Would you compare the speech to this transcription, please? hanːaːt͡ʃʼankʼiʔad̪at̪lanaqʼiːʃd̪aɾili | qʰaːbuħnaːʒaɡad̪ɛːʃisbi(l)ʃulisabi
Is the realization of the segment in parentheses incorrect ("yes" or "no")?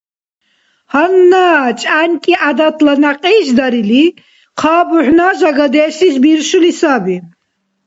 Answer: yes